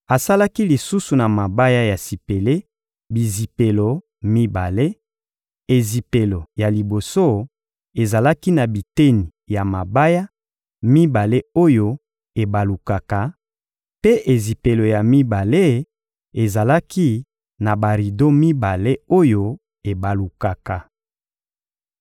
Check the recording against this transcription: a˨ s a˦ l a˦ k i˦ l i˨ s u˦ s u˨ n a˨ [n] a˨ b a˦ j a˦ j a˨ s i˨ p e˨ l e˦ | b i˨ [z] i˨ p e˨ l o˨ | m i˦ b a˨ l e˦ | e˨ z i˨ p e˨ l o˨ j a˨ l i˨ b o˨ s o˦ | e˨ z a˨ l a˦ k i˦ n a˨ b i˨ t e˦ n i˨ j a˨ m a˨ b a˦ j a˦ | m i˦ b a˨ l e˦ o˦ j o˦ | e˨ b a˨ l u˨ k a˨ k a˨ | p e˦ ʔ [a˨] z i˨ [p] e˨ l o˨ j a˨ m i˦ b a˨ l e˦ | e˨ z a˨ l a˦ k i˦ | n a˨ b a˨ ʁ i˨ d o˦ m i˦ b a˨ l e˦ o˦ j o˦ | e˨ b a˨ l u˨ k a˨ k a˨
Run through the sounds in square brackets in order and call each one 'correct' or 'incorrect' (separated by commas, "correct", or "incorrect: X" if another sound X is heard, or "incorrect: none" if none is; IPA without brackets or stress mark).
incorrect: m, correct, incorrect: e˨, correct